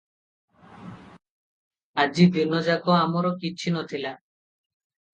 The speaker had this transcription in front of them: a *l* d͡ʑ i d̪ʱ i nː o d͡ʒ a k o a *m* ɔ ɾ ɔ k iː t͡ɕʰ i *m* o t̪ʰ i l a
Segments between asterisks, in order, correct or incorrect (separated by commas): incorrect, correct, incorrect